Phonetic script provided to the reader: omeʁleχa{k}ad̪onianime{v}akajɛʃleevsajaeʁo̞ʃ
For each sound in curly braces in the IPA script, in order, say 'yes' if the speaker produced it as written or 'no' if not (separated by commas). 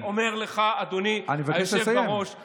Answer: no, yes